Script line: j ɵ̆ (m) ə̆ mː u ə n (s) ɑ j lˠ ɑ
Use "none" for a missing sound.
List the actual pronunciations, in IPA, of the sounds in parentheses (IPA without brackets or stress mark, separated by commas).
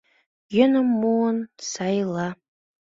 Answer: n, s